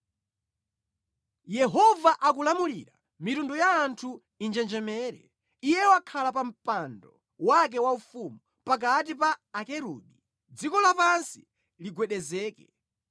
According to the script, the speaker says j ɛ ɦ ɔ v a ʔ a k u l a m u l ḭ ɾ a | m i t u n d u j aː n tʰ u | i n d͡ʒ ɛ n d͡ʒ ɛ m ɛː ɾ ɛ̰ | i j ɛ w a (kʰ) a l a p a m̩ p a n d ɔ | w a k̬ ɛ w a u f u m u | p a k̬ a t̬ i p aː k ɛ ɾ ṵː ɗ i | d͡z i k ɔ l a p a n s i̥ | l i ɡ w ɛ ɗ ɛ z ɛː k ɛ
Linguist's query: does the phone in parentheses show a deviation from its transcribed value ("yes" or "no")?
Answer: no